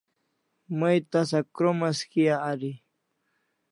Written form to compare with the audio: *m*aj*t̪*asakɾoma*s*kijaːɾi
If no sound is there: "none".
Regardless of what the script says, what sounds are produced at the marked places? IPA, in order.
m, t̪, s

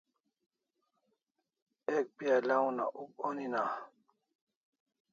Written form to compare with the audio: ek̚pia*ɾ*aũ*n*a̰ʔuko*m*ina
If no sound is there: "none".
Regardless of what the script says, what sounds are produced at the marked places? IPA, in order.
l, n, n

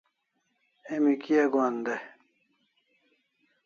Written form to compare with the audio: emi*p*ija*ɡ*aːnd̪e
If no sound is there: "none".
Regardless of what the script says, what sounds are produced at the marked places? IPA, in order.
k, ɡ

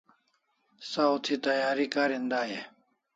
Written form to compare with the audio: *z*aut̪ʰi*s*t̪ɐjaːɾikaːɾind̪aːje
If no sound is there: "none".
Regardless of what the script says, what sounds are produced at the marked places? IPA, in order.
s, none

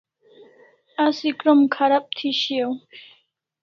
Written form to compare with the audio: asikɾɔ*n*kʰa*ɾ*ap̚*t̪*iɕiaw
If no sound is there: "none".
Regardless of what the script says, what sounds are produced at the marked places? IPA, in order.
m, ɾ, t̪ʰ

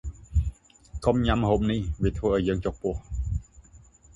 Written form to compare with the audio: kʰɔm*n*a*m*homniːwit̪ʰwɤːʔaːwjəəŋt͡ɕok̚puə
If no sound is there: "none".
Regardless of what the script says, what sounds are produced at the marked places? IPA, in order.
ɲ, m

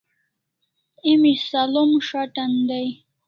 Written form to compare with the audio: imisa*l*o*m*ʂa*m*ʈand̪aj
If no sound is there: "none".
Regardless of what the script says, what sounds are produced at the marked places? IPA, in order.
l, m, none

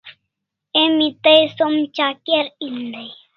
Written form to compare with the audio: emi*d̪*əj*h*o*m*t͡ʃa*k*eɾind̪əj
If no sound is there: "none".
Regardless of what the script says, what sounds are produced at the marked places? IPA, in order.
t̪, s, m, k

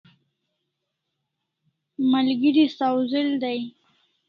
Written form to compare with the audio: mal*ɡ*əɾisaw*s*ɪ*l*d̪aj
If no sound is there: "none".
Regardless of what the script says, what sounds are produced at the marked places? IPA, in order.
ɡ, z, l

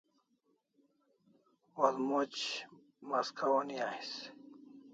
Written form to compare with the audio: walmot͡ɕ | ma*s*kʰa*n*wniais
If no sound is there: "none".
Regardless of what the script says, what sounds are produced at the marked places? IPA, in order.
s, none

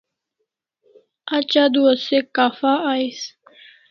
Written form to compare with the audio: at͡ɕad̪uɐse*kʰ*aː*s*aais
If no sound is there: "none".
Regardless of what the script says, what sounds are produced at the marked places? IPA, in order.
k, f

